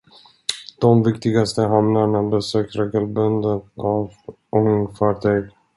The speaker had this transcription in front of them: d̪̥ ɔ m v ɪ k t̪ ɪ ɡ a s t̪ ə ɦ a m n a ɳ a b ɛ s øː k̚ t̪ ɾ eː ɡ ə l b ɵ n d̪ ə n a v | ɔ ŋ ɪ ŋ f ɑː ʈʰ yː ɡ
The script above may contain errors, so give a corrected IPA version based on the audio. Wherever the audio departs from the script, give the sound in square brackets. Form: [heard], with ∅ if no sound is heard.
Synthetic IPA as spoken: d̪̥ ɔ m v ɪ k t̪ ɪ ɡ a s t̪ ə ɦ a m n a ɳ a b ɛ s øː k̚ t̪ ɾ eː ɡ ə l b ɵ n d̪ ə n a v | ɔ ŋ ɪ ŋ f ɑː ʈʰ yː ɡ